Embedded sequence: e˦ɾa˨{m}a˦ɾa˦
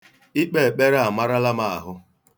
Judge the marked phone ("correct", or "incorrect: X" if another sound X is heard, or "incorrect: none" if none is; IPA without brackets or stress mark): correct